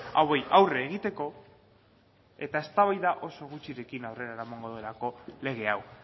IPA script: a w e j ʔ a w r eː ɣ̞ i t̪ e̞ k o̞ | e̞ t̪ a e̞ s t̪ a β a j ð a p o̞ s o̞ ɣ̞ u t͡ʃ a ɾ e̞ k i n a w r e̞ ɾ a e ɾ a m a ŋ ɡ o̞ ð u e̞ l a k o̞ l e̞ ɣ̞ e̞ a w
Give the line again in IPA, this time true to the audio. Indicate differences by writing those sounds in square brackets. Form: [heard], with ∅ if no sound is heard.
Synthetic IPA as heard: a w e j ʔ a w r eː ɣ̞ i t̪ e̞ k o̞ | e̞ t̪ a e̞ s t̪ a β a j ð a [ʔ] o̞ s o̞ ɣ̞ u t͡ʃ [i] ɾ e̞ k i n a w r e̞ ɾ a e ɾ a m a ŋ ɡ o̞ ð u e̞ l a k o̞ l e̞ ɣ̞ e̞ a w